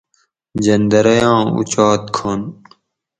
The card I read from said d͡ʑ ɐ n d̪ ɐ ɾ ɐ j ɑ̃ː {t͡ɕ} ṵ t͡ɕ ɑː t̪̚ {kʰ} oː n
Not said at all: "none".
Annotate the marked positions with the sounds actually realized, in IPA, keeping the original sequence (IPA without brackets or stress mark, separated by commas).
none, kʰ